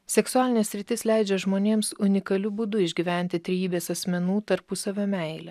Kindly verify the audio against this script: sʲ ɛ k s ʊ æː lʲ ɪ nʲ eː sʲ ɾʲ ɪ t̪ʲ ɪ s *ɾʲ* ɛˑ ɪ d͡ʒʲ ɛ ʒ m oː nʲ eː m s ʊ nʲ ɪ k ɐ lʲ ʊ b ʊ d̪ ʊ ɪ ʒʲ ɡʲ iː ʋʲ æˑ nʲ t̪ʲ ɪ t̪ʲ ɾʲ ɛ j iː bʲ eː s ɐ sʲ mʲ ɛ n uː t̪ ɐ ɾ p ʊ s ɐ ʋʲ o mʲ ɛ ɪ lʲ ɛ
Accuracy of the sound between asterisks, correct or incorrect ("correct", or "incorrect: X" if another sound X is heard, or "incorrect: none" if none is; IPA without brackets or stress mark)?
incorrect: lʲ